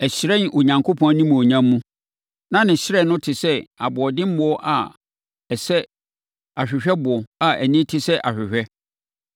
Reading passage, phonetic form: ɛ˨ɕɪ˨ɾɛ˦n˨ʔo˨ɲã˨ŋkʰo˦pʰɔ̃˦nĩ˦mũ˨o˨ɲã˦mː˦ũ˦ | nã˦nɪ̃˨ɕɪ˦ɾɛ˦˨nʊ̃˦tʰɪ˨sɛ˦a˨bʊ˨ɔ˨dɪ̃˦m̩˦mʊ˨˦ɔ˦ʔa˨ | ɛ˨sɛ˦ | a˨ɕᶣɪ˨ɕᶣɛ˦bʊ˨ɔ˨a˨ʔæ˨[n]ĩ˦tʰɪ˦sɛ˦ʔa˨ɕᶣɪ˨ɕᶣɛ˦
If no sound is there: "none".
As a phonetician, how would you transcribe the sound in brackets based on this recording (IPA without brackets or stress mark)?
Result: n